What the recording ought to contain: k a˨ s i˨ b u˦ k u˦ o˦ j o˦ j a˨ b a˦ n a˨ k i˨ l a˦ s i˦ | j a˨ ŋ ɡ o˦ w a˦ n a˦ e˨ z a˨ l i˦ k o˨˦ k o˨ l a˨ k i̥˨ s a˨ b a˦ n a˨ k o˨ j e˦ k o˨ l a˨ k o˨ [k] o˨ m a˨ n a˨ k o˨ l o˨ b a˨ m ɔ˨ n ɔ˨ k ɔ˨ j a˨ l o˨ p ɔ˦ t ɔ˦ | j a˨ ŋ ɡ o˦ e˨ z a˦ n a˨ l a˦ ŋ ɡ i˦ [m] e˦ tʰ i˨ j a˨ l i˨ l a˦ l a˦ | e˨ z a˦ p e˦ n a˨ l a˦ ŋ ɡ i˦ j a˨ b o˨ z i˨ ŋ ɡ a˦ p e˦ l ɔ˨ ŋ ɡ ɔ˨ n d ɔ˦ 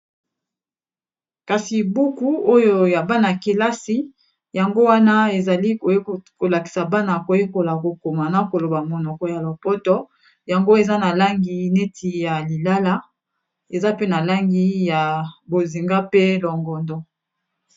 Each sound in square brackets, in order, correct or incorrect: correct, incorrect

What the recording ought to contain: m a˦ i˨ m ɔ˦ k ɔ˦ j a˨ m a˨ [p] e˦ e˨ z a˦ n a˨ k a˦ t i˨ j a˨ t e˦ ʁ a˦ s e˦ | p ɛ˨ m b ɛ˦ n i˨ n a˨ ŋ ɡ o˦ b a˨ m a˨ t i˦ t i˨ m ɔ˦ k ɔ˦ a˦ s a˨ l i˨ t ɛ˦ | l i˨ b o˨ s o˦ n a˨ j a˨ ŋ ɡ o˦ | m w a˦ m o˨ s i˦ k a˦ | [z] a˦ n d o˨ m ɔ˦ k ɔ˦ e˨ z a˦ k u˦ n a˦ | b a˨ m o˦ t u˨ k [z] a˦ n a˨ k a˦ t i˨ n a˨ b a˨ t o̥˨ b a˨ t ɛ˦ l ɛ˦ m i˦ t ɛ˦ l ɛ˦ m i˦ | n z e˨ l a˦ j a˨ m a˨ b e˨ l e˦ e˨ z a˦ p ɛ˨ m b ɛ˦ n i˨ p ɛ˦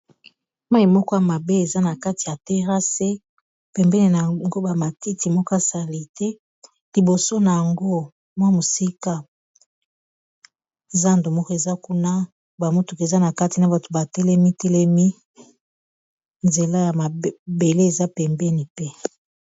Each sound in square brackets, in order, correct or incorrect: incorrect, correct, correct

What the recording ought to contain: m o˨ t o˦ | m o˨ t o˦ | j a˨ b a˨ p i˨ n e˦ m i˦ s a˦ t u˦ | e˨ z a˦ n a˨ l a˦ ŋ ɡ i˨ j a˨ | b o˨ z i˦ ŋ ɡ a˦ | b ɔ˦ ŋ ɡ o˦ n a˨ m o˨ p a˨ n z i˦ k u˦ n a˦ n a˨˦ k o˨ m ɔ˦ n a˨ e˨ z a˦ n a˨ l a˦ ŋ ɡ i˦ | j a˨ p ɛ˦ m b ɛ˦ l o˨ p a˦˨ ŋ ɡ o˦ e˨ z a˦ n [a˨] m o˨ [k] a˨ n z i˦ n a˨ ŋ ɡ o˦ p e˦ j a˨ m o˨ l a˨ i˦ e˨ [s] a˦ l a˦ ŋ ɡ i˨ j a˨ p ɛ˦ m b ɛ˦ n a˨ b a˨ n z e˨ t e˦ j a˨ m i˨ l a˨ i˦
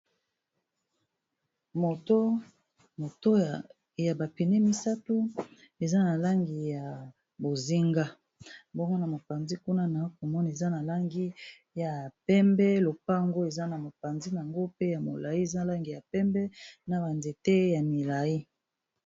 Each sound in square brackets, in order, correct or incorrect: correct, incorrect, incorrect

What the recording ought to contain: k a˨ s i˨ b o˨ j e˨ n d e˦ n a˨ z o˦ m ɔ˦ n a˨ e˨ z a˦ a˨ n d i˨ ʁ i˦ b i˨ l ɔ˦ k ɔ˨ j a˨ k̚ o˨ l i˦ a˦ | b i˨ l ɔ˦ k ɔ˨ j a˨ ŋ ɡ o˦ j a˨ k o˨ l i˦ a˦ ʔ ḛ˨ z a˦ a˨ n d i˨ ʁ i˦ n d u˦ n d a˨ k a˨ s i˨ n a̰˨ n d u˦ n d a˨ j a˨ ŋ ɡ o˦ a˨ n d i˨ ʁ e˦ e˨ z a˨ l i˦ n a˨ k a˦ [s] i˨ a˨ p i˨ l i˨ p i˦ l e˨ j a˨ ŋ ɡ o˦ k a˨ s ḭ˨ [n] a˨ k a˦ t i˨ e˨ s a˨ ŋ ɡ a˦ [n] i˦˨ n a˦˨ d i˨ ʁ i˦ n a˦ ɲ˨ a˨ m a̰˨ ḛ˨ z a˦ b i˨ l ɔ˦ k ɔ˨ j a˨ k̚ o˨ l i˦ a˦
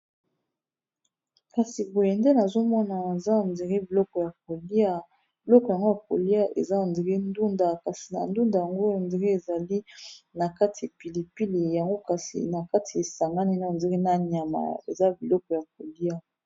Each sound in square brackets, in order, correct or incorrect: incorrect, correct, correct

